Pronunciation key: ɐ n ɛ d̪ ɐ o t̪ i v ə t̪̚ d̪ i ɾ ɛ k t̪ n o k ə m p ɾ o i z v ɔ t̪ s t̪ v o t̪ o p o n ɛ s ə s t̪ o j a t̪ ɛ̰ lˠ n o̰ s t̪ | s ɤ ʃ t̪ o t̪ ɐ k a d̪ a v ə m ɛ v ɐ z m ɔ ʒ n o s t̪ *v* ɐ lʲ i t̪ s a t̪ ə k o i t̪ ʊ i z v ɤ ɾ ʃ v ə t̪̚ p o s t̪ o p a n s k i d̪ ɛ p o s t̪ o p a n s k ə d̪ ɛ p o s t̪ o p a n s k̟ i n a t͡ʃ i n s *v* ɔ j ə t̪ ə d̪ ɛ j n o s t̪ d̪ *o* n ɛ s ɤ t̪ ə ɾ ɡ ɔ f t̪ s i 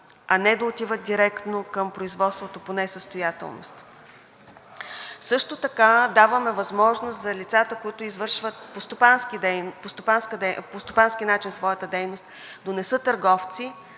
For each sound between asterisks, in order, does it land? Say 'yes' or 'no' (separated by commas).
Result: no, yes, yes